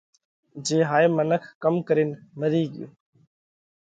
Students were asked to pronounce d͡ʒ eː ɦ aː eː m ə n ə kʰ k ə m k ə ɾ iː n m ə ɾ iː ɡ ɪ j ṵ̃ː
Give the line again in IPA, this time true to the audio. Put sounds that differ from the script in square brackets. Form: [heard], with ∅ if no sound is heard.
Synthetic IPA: d͡ʒ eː ɦ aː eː m ə n ə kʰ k ə m k ə ɾ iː n m ə ɾ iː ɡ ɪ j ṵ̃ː